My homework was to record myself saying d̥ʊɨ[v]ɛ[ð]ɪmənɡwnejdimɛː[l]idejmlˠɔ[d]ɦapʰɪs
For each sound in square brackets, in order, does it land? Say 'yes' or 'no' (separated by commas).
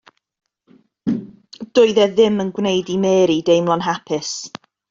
no, yes, no, no